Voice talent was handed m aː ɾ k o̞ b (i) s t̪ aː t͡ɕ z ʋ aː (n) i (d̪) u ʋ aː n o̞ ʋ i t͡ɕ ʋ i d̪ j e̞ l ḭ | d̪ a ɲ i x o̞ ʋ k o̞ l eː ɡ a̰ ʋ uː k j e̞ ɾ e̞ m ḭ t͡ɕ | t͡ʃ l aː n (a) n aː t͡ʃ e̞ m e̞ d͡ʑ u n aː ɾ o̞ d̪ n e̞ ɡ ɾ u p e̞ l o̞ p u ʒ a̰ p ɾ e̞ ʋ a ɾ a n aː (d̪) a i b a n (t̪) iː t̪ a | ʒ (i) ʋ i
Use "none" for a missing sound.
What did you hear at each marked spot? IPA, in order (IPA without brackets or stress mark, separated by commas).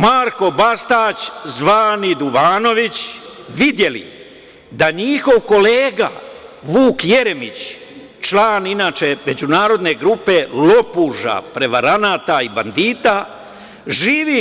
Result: a, n, d̪, i, t̪, d̪, iː